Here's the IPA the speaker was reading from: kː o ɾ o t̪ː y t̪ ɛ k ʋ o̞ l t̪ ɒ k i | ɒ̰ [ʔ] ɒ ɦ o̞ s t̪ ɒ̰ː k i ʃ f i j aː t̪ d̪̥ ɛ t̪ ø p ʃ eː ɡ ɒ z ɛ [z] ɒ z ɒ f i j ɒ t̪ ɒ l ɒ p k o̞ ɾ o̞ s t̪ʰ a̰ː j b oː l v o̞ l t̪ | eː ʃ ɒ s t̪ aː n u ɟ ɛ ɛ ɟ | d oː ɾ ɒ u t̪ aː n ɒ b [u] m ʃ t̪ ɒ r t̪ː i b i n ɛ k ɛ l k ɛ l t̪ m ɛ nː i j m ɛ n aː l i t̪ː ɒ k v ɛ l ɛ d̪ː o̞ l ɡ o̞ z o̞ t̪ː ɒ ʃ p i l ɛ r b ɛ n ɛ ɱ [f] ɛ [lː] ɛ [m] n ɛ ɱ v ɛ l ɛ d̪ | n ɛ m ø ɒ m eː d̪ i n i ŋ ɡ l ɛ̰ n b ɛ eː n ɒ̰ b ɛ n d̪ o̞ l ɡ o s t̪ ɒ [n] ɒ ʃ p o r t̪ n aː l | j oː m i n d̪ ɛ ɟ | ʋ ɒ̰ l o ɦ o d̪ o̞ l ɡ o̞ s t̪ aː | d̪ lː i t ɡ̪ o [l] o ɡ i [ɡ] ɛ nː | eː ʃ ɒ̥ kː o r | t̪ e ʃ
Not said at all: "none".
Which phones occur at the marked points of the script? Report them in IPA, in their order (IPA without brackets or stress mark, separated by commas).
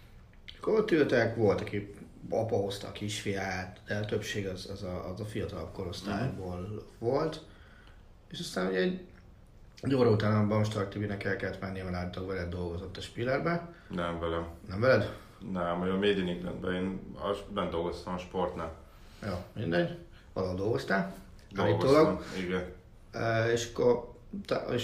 p, z, ɒ, v, l, m, m, l, ɡ